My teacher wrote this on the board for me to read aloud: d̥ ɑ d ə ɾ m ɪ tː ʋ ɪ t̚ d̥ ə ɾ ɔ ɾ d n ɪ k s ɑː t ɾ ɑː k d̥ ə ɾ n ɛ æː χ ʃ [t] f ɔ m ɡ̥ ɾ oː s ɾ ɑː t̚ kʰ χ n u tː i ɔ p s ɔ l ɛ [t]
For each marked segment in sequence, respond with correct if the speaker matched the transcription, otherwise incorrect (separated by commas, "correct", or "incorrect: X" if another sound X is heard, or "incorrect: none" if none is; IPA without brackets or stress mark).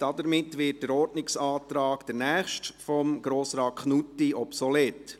correct, correct